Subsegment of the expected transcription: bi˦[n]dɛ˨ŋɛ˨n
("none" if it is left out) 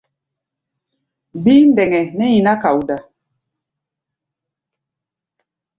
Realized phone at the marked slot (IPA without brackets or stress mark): n